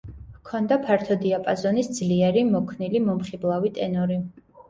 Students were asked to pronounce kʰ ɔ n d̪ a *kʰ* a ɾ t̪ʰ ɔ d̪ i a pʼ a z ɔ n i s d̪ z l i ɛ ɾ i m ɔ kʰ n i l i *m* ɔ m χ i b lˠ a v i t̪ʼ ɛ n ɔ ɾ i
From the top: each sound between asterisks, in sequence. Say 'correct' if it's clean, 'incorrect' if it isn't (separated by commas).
incorrect, correct